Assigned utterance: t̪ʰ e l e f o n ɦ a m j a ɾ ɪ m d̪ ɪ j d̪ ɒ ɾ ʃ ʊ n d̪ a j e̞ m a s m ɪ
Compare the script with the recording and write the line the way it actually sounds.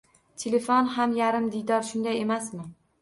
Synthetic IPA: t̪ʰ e l e f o n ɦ a m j a ɾ ɪ m d̪ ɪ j d̪ ɒ ɾ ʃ ʊ n d̪ a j e̞ m a s m ɪ

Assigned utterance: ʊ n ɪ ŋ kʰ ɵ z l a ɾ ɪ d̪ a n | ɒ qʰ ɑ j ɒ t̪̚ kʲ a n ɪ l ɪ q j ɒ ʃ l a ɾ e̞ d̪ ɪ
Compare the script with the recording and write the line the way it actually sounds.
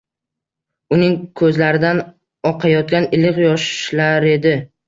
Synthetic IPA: ʊ n ɪ ŋ kʰ ɵ z l a ɾ ɪ d̪ a n | ɒ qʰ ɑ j ɒ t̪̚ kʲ a n ɪ l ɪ q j ɒ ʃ l a ɾ e̞ d̪ ɪ

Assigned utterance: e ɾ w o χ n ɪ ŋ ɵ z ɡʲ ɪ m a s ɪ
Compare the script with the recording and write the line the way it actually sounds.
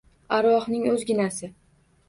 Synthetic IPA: a ɾ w ɒ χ n ɪ ŋ ɵ z ɡʲ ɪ n a s ɪ

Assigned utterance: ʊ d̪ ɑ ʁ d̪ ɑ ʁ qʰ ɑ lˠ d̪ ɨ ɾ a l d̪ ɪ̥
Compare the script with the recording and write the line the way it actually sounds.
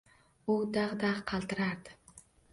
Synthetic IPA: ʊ d̪ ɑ ʁ d̪ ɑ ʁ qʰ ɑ lˠ t̪ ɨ ɾ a ɾ d̪ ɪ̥

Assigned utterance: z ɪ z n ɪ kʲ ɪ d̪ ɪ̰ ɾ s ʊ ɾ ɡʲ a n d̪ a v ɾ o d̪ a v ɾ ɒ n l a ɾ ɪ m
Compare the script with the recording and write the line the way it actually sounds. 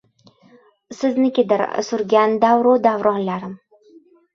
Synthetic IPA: s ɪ z n ɪ kʲ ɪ d̪ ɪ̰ ɾ s ʊ ɾ ɡʲ a n d̪ a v ɾ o d̪ a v ɾ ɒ n l a ɾ ɪ m

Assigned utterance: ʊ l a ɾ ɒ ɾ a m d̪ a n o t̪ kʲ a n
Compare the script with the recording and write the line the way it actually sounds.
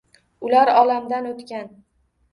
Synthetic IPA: ʊ l a ɾ ɒ l a m d̪ a n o t̪ kʲ a n

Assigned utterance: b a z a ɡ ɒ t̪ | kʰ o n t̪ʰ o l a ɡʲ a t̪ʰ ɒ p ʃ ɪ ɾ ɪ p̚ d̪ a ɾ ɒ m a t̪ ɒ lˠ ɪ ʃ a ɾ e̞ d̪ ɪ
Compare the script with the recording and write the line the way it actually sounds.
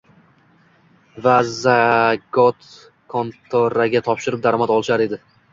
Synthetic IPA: v a z a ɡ ɒ t̪ | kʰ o n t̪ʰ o ɾ a ɡʲ a t̪ʰ ɒ p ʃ ɪ ɾ ɪ p̚ d̪ a ɾ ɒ m a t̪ ɒ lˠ ɪ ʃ a ɾ e̞ d̪ ɪ

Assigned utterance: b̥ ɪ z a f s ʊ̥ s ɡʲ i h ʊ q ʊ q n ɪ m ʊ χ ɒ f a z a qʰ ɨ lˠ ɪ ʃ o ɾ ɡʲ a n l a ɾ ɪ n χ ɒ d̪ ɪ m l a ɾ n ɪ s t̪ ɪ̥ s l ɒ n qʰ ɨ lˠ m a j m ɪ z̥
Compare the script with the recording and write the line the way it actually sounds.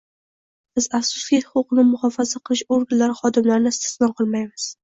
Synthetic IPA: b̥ ɪ z a f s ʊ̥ s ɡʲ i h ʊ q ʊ q n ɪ m ʊ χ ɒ f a z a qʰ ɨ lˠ ɪ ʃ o ɾ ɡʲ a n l a ɾ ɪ χ ɒ d̪ ɪ m l a ɾ n ɪ s t̪ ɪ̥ s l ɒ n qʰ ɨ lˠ m a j m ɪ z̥

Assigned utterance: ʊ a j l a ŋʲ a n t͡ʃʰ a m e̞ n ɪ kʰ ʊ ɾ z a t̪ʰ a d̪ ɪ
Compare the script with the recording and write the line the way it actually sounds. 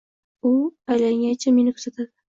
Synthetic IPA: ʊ a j l a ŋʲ a n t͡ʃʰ a m e̞ n ɪ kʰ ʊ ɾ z a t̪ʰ a d̪ ɪ

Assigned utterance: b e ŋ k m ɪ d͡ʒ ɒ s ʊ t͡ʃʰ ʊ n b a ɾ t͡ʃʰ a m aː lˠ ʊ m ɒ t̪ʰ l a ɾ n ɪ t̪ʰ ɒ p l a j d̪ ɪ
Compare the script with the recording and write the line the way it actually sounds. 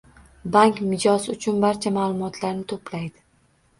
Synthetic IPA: b a ŋ k m ɪ d͡ʒ ɒ s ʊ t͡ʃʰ ʊ n b a ɾ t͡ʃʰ a m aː lˠ ʊ m ɒ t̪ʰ l a ɾ n ɪ t̪ʰ o p l a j d̪ ɪ

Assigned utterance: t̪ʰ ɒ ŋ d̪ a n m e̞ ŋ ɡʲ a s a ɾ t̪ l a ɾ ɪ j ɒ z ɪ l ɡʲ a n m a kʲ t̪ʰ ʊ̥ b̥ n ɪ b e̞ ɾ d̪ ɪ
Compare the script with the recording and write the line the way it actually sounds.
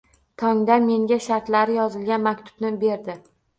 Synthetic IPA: t̪ʰ ɒ ŋ d̪ a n m e̞ ŋ ɡʲ a ʃ a ɾ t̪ l a ɾ ɪ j ɒ z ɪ l ɡʲ a n m a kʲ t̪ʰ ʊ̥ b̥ n ɪ b e̞ ɾ d̪ ɪ

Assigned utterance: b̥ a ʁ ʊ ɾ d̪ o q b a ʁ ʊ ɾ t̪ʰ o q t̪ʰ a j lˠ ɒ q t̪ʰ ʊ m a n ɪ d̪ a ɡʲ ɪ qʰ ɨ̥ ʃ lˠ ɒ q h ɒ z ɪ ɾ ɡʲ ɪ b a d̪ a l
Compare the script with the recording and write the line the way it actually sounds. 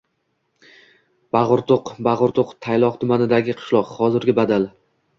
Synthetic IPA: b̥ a ʁ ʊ ɾ t̪ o q b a ʁ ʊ ɾ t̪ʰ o q t̪ʰ a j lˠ ɒ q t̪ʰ ʊ m a n ɪ d̪ a ɡʲ ɪ qʰ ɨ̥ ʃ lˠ ɒ q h ɒ z ɪ ɾ ɡʲ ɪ b a d̪ a l

